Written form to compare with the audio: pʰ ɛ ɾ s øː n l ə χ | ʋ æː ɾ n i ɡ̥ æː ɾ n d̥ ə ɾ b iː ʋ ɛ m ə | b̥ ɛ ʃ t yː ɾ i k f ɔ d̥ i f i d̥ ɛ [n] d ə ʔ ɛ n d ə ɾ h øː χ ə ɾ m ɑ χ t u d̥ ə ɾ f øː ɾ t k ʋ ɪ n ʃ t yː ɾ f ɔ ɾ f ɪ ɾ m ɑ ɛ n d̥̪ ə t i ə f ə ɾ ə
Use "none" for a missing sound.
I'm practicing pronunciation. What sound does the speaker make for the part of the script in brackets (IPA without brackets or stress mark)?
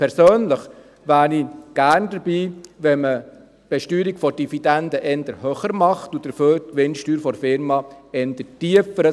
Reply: n